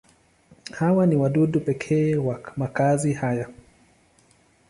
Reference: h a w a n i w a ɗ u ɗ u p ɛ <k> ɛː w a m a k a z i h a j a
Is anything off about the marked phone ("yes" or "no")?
yes